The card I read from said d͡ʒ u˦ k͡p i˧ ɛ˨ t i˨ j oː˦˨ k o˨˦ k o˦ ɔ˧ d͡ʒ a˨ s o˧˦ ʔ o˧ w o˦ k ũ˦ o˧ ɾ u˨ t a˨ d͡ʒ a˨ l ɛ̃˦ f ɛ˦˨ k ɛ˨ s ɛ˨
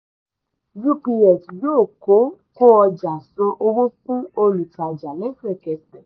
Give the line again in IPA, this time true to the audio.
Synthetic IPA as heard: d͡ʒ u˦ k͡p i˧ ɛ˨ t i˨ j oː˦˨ k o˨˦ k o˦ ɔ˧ d͡ʒ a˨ s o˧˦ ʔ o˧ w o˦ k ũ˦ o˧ l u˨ t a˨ d͡ʒ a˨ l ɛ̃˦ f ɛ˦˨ k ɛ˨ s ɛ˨

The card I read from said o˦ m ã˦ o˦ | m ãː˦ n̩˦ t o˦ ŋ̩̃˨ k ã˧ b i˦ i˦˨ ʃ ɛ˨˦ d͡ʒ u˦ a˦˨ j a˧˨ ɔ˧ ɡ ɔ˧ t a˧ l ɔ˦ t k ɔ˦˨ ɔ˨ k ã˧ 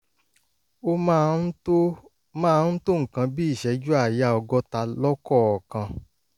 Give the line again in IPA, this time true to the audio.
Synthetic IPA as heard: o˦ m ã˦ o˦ | m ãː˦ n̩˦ t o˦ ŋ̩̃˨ k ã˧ b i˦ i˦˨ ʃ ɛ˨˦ d͡ʒ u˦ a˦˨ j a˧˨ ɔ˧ ɡ ɔ˧ t a˧ l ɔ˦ k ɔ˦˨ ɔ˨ k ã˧

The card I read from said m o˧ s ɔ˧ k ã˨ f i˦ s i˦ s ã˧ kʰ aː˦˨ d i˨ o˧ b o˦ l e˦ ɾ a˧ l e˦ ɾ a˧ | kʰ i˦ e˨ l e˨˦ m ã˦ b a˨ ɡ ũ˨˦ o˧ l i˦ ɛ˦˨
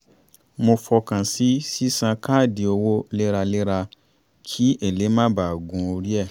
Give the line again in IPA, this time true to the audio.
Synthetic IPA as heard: m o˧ f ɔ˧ k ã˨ s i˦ s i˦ s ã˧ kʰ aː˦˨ d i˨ o˧ w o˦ l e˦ ɾ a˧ l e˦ ɾ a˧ | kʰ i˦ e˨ l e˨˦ m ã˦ b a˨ ɡ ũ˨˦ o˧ ɾ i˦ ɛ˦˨

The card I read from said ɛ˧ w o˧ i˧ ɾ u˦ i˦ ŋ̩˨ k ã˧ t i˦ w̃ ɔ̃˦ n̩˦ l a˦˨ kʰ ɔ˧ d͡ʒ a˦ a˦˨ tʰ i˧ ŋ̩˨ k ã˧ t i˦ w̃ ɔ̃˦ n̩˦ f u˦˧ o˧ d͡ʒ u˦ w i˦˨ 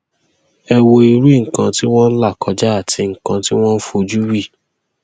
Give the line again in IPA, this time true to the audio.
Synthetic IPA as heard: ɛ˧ w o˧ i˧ ɾ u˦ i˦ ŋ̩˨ k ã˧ t i˦ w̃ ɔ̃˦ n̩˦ l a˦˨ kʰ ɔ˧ d͡ʒ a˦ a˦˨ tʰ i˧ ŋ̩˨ k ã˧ t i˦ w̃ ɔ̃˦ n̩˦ f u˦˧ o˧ d͡ʒ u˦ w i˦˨

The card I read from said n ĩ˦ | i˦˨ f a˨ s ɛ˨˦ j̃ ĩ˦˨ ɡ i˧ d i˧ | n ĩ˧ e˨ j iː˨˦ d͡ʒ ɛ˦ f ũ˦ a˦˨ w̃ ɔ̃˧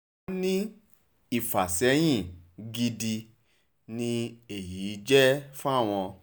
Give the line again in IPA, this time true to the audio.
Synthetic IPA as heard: n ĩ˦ | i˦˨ f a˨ s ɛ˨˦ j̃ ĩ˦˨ ɡ i˧ d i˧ | n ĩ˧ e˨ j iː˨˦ d͡ʒ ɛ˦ f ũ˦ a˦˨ w̃ ɔ̃˧

